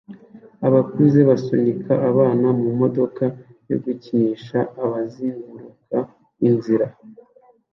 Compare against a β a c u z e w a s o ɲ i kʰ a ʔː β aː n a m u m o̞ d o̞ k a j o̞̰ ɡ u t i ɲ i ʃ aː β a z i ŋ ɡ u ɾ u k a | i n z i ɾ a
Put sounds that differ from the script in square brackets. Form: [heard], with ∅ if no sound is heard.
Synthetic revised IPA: a β a [k] u z e [β] a s o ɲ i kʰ a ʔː β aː n a m u m o̞ d o̞ k a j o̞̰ ɡ u [c] i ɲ i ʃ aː β a z i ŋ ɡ u ɾ u k a | i n z i ɾ a